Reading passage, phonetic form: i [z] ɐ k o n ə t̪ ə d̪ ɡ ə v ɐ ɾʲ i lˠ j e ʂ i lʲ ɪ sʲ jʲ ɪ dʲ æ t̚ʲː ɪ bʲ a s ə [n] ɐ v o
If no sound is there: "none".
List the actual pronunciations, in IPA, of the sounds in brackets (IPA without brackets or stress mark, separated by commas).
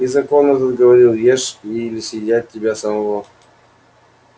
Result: z, m